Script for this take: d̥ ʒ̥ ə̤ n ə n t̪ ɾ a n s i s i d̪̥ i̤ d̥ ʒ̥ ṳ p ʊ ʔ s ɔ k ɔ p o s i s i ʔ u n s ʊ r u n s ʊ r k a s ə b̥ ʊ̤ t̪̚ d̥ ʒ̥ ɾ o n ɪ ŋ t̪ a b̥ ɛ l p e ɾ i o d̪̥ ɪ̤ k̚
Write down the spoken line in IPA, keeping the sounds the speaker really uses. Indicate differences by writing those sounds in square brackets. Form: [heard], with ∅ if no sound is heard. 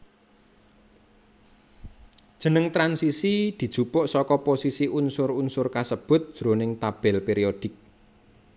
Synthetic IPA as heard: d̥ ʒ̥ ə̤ n ə [ŋ] t̪ ɾ a n s i s i d̪̥ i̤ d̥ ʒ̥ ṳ p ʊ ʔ s ɔ k ɔ p o s i s i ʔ u n s ʊ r u n s ʊ r k a s ə b̥ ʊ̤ t̪̚ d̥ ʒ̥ ɾ o n ɪ ŋ t̪ a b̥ ɛ l p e ɾ i o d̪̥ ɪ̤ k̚